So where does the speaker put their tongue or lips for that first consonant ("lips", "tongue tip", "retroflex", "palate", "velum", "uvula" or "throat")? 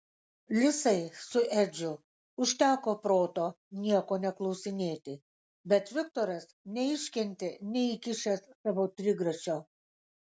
tongue tip